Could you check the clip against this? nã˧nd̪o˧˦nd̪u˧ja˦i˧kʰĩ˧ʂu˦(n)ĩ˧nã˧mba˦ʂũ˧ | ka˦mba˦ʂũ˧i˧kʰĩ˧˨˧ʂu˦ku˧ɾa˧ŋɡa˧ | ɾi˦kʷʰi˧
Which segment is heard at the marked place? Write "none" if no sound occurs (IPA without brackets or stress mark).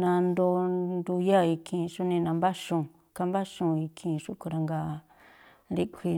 n